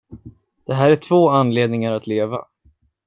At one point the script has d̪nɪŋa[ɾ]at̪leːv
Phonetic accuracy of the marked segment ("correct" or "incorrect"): correct